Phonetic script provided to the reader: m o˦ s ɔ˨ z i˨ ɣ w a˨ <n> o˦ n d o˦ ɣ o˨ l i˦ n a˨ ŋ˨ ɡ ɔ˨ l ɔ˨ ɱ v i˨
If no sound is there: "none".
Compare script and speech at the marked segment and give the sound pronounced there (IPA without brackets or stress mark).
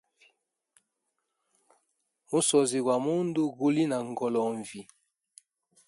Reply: m